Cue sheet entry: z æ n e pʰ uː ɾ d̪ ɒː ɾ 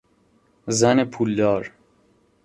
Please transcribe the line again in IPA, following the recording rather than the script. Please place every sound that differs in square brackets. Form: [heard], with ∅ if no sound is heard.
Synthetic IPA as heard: z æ n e pʰ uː [l] d̪ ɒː ɾ